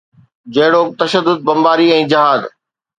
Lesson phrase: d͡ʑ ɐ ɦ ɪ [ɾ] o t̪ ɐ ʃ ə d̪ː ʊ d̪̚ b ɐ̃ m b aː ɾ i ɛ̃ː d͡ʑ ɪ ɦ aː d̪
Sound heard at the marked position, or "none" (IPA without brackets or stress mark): ɽ